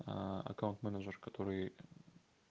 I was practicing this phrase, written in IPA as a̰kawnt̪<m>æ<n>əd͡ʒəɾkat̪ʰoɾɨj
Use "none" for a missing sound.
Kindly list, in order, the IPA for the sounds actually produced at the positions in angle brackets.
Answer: m, n

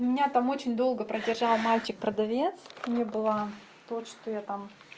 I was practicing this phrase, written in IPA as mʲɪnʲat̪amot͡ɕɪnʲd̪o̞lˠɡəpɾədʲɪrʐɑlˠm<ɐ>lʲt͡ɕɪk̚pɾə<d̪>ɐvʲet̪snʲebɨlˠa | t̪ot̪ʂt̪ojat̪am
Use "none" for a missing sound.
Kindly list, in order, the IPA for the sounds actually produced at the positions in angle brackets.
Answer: a, d̪

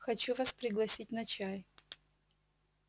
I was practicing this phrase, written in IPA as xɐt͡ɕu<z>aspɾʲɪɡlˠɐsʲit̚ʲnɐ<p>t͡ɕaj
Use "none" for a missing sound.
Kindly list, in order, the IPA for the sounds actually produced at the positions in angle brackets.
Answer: v, none

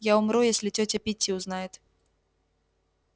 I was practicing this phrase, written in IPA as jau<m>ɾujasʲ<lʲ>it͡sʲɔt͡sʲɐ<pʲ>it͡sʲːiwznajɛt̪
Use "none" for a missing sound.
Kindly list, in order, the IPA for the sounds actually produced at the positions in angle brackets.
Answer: m, lʲ, pʲ

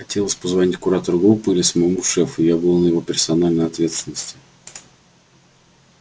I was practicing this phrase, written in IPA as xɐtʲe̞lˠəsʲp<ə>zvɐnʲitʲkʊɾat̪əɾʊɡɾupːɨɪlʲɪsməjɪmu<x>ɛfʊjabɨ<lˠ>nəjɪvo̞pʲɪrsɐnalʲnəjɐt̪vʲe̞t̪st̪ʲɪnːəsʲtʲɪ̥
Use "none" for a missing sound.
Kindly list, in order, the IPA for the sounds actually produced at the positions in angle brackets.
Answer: ə, ʂ, lˠ

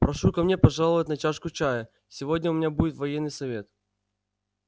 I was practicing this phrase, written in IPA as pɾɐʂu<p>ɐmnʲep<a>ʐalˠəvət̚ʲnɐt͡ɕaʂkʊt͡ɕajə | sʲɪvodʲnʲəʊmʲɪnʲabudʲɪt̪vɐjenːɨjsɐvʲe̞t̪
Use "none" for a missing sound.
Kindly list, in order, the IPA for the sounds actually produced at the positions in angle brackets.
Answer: k, ɐ

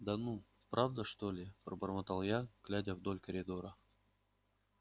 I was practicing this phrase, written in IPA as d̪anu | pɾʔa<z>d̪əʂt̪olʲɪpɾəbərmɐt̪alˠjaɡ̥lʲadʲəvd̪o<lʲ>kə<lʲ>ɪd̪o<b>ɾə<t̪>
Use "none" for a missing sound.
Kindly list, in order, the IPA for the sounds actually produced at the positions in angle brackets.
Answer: v, lʲ, ɾʲ, none, none

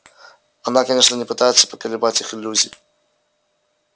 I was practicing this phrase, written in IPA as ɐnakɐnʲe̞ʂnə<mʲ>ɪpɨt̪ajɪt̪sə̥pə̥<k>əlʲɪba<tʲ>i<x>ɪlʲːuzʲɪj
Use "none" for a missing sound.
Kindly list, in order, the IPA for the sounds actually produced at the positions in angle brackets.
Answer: nʲ, k, tʲ, x

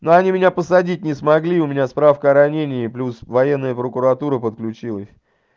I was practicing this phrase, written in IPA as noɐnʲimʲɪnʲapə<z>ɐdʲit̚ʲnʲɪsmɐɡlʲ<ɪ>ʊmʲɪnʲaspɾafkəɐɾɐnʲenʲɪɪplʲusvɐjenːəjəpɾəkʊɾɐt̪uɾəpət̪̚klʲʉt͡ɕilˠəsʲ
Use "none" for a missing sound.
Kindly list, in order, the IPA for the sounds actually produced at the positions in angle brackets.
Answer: s, i

